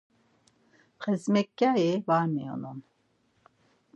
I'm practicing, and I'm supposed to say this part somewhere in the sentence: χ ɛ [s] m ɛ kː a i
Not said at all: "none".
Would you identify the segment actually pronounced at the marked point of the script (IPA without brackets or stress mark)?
z